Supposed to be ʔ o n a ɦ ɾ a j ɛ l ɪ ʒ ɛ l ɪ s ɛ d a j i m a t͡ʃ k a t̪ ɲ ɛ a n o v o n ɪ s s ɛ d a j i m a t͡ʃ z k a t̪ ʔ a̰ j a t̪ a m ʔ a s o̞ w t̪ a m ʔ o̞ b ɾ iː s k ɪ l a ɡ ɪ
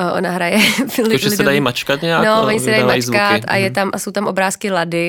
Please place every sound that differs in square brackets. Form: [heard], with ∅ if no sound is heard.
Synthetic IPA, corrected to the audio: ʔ o n a ɦ ɾ a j ɛ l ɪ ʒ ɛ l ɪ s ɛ d a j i m a t͡ʃ k a t̪ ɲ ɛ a n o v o [ɲ] ɪ s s ɛ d a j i m a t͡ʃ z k a t̪ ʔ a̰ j [ɛ] t̪ a m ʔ a s o̞ w t̪ a m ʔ o̞ b ɾ [aː] s k ɪ l a [d] ɪ